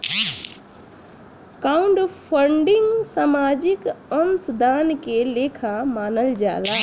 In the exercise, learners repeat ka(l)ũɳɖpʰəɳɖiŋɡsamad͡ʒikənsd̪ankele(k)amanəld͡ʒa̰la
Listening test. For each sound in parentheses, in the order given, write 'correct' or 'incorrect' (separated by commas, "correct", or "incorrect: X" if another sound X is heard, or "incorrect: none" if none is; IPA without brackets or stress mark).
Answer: incorrect: none, incorrect: kʰ